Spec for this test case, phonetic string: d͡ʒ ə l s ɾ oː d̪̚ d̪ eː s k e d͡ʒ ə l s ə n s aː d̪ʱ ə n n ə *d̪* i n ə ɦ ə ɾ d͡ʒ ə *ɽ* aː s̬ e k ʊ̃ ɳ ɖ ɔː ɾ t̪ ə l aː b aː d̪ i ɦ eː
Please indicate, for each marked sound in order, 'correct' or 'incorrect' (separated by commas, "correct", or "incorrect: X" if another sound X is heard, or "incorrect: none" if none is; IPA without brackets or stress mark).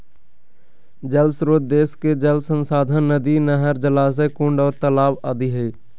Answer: correct, incorrect: l